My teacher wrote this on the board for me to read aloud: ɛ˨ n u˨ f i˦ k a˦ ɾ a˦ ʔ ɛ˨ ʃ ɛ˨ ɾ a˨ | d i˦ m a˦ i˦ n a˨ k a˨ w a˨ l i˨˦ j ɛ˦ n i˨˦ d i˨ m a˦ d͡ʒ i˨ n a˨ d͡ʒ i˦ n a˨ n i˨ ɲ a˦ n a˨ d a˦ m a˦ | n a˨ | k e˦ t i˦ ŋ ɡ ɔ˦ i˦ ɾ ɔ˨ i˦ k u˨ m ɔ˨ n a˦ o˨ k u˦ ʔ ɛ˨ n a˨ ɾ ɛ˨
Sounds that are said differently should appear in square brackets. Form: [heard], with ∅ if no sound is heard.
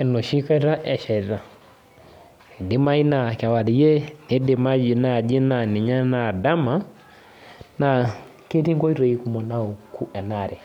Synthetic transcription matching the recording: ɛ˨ n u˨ [ʃ] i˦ k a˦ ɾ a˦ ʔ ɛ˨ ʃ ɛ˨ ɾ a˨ | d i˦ m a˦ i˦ n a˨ k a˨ w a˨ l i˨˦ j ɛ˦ n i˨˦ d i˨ m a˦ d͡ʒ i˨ n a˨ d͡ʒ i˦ n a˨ n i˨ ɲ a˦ n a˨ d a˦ m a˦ | n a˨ | k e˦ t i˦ ŋ ɡ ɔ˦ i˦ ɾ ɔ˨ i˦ k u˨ m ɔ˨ n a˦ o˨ k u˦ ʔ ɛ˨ n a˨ ɾ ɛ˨